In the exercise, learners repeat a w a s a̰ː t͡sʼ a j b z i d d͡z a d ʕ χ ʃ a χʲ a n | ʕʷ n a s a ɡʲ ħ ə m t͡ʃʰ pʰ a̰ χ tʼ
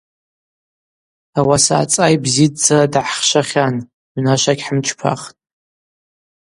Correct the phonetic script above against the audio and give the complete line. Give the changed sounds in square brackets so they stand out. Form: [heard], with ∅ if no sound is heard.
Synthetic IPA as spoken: a w a s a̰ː t͡sʼ a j b z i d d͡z a d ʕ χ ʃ a χʲ a n | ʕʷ n a [ʃ] a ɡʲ ħ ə m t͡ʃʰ pʰ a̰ χ tʼ